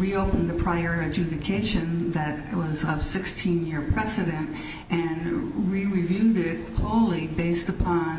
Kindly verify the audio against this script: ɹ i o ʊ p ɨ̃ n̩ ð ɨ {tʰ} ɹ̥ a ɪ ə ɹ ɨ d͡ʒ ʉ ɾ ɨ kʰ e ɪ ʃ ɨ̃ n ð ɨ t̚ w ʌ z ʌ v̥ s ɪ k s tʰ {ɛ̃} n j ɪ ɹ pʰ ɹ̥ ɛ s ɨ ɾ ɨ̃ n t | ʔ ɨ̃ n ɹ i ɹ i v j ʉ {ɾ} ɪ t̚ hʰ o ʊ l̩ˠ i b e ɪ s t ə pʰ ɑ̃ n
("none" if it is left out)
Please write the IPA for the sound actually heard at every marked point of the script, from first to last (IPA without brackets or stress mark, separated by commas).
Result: pʰ, ĩ, ɾ